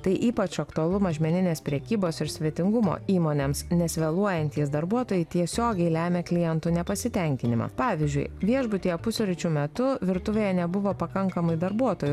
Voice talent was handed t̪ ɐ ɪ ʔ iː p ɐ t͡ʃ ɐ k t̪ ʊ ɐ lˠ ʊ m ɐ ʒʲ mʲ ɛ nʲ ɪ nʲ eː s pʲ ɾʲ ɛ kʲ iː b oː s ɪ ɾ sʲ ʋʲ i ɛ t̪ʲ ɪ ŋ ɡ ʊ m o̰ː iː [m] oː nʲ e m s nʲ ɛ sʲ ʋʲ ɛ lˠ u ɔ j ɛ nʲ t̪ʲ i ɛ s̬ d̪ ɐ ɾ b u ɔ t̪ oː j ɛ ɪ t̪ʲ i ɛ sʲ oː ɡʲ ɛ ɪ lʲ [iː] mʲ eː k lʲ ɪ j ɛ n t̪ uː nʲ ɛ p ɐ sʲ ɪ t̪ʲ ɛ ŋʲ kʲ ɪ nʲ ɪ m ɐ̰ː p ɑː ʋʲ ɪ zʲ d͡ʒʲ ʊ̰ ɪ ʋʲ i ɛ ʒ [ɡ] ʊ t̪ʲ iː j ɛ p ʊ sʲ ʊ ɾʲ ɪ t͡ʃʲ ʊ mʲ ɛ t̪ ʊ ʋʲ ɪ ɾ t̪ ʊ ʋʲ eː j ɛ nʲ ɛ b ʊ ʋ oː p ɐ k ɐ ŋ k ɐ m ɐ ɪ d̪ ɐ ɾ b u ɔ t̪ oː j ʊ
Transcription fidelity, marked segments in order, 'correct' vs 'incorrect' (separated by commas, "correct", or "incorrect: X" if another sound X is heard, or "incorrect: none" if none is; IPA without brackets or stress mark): correct, incorrect: æː, incorrect: b